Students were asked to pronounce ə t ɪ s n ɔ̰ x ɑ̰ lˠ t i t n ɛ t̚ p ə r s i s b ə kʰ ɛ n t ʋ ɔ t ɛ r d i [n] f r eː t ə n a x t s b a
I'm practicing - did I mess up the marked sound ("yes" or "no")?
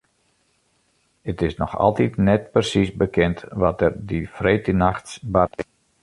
yes